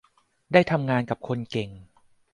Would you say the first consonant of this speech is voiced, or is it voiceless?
voiced